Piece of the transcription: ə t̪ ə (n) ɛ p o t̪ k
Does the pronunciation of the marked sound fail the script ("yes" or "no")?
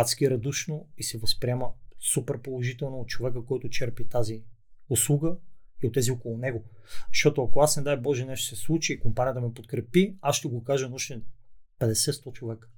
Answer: yes